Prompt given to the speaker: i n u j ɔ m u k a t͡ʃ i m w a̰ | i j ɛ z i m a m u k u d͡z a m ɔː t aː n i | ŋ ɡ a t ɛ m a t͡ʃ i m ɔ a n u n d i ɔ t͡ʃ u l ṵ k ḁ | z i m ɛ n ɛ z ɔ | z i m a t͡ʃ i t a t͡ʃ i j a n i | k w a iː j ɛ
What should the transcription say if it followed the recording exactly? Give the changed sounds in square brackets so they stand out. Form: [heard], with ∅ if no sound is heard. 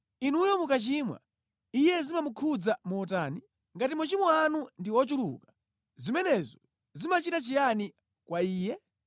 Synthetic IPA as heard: i n u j ɔ m u k a t͡ʃ i m w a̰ | i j ɛ z i m a m u [kʰ] u d͡z a m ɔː t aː n i | ŋ ɡ a t [i] m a t͡ʃ i m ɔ a n u n d i ɔ t͡ʃ u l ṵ k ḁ | z i m ɛ n ɛ z ɔ | z i m a t͡ʃ i t a t͡ʃ i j a n i | k w a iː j ɛ

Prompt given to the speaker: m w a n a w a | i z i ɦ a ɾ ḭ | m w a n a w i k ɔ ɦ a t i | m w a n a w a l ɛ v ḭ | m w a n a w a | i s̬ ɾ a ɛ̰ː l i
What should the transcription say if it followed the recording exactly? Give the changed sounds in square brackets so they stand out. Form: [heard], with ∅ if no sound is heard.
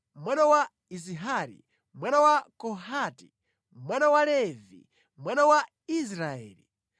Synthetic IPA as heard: m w a n a w a | i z i ɦ a ɾ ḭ | m w a n a w [a] k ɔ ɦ a t i | m w a n a w a l ɛ v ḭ | m w a n a w a | i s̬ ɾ a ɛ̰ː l i

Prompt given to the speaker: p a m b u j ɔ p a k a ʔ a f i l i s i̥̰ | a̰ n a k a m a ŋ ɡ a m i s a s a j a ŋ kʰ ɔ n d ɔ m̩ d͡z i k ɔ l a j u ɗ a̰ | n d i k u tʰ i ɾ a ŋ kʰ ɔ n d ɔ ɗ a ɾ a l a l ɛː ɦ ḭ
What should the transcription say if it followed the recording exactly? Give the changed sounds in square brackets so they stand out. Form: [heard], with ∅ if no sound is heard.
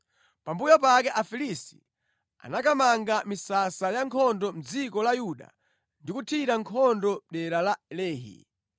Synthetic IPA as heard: p a m b u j ɔ p a k [ɛ] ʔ a f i l i s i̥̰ | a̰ n a k a m a ŋ ɡ a m i s a s a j a ŋ kʰ ɔ n d ɔ m̩ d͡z i k ɔ l a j u ɗ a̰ | n d i k u tʰ i ɾ a ŋ kʰ ɔ n d ɔ ɗ [ɛ] ɾ a l a l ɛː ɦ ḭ

